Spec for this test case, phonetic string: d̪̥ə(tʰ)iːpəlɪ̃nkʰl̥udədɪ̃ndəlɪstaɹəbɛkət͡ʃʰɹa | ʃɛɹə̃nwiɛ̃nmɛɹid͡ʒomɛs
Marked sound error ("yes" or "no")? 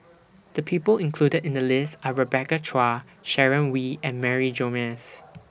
yes